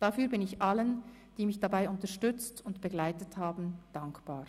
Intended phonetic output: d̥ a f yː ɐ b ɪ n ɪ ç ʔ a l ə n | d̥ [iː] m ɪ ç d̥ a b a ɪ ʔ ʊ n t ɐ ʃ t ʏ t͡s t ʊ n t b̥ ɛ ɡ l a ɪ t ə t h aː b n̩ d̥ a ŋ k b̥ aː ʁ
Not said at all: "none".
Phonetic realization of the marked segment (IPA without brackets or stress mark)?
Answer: iː